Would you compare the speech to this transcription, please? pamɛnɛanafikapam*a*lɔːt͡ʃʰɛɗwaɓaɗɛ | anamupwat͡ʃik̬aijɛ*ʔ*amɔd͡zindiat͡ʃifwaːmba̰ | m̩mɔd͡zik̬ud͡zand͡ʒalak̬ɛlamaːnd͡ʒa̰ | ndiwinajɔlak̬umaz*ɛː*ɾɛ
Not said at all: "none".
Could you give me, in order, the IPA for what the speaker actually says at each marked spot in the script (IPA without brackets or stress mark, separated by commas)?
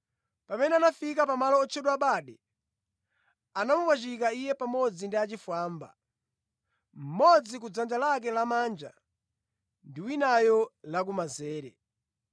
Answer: a, p, ɛː